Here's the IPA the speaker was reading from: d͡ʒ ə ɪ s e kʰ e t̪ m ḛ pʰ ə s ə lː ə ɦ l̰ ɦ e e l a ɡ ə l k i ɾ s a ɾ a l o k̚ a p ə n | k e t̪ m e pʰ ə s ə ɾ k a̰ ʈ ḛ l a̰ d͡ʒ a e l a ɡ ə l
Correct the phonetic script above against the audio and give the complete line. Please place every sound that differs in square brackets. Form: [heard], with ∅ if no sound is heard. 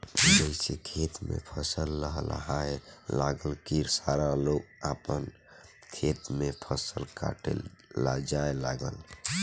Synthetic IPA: d͡ʒ ə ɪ s e kʰ e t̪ m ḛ pʰ ə s ə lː ə ɦ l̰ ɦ [a] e l a ɡ ə l k i ɾ s a ɾ a l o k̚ a p ə n | [kʰ] e t̪ m e pʰ ə s ə [l] k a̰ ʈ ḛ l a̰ d͡ʒ a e l a ɡ ə l

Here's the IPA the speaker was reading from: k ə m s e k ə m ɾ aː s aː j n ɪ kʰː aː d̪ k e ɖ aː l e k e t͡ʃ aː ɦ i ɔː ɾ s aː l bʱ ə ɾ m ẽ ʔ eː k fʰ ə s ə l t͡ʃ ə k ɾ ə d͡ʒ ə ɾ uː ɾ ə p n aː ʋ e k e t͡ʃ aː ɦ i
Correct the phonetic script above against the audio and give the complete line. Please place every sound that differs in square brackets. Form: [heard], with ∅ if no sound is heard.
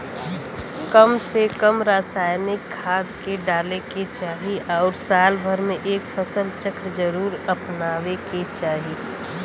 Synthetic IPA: k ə m s e k ə m ɾ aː s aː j n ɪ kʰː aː d̪ k e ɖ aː l e k e t͡ʃ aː ɦ i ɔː ɾ s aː l bʱ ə ɾ m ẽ ʔ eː k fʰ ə s ə l t͡ʃ ə k ɾ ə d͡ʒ ə ɾ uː ɾ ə p n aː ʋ e k e t͡ʃ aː ɦ i

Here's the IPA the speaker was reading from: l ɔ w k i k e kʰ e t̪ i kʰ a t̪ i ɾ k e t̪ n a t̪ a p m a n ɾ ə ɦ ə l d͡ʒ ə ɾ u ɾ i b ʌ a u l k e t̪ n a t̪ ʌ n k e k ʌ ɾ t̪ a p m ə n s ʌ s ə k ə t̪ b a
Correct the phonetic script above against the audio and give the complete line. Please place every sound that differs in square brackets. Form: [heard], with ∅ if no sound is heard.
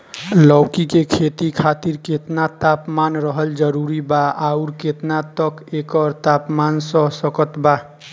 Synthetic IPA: l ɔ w k i k e kʰ e t̪ i kʰ a t̪ i ɾ k e t̪ n a t̪ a p m a n ɾ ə ɦ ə l d͡ʒ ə ɾ u ɾ i b [a] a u [ɾ] k e t̪ n a t̪ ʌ [∅] k e k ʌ ɾ t̪ a p m [a] n s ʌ s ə k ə t̪ b a

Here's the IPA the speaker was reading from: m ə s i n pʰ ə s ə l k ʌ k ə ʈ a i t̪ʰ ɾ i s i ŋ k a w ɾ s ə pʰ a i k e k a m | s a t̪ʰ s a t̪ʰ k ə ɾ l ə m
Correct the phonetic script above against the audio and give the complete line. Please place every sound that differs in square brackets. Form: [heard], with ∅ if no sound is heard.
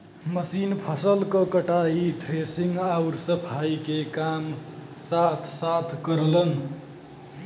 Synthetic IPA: m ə s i n pʰ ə s ə l k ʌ k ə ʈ a i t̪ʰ ɾ [e] s i ŋ [ɡ] a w ɾ s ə pʰ a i k e k a m | s a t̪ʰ s a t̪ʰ k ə ɾ l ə [n]

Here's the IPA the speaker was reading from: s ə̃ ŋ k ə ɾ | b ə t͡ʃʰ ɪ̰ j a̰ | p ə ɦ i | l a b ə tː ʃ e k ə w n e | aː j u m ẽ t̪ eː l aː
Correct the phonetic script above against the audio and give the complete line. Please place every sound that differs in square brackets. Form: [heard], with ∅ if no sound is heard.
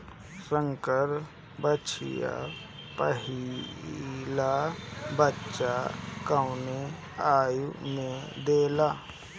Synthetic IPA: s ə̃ ŋ k ə ɾ | b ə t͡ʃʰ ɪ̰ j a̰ | p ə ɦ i | l a b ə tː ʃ [a] k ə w n e | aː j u m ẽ [d̪] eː l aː

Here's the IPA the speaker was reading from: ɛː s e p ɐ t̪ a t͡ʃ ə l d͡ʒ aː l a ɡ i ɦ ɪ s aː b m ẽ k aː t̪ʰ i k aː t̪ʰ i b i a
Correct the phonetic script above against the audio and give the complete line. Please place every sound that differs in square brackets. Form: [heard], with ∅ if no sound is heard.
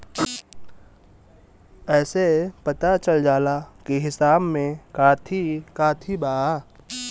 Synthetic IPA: ɛː s e p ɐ t̪ a t͡ʃ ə l d͡ʒ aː l a [k] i ɦ ɪ s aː b m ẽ k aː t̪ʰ i k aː t̪ʰ i b [a] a

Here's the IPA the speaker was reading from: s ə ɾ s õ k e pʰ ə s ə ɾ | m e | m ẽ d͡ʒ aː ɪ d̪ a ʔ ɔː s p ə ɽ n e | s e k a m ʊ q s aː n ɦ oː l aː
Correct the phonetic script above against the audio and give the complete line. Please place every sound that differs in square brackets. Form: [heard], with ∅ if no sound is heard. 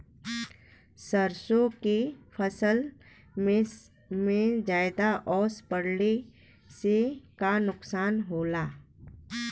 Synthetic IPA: s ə ɾ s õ k e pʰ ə s ə [l] | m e | m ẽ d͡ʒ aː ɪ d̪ a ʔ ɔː s p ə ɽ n e | s e k a [n] ʊ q s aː n ɦ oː l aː

